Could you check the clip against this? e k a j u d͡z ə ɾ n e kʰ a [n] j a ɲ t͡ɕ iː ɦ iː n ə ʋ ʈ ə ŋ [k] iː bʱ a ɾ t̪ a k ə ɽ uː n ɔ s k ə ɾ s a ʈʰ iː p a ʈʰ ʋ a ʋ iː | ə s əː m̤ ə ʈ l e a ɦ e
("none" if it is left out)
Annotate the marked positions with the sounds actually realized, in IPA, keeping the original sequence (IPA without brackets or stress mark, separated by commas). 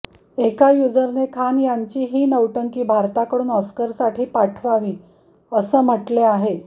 n, k